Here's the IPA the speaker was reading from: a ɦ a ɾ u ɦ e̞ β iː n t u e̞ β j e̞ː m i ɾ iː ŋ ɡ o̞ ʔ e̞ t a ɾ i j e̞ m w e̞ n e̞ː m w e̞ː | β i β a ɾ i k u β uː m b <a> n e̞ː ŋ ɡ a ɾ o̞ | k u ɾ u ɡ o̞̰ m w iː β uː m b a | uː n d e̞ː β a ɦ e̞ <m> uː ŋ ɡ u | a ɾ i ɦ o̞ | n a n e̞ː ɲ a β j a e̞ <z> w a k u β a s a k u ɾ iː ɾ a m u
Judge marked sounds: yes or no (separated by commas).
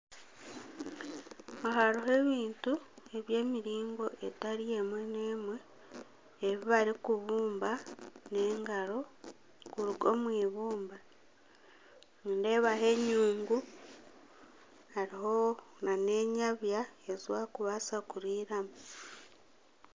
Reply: yes, no, yes